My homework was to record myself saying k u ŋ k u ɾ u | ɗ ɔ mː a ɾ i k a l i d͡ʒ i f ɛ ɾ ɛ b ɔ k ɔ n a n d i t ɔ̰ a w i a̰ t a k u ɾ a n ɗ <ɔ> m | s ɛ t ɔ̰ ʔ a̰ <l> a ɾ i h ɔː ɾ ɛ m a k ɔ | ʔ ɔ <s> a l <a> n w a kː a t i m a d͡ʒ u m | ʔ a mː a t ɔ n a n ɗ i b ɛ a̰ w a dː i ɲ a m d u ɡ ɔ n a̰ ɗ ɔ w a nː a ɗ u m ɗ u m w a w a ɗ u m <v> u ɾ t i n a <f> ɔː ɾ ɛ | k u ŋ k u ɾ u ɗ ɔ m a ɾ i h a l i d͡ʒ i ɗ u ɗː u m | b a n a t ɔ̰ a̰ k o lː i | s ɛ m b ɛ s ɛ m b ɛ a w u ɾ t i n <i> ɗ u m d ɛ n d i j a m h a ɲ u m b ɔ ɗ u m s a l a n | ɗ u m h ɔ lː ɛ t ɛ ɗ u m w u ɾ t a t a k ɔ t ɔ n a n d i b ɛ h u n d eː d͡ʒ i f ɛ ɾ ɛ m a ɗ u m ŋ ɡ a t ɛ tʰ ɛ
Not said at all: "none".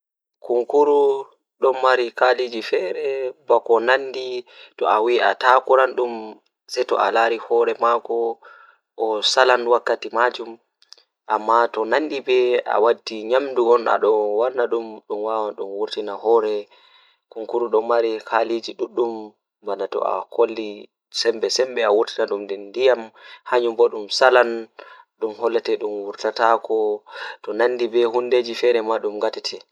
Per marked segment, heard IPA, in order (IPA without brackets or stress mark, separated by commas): u, l, s, a, w, h, a